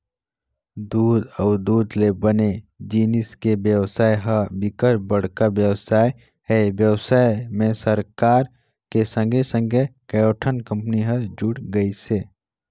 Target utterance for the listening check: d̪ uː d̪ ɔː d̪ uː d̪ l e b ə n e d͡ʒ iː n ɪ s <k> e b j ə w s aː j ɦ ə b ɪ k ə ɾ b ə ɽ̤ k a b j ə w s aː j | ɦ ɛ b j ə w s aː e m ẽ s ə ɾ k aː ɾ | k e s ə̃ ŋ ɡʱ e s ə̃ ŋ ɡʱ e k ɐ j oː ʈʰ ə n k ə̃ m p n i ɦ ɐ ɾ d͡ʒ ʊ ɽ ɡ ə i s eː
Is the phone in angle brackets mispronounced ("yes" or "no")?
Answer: no